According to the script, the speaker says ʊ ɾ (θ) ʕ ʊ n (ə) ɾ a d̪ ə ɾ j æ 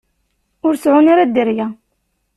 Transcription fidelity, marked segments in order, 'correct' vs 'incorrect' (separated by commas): incorrect, incorrect